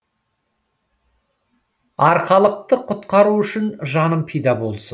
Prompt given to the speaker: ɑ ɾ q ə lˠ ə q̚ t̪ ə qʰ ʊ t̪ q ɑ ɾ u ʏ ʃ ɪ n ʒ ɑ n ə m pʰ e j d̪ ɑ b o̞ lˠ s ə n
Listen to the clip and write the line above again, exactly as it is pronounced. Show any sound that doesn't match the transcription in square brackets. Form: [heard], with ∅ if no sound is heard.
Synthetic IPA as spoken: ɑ ɾ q [ɑ] lˠ ə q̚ t̪ ə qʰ ʊ t̪ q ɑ ɾ u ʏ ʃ ɪ n ʒ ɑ n ə m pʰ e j d̪ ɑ b o̞ lˠ s ə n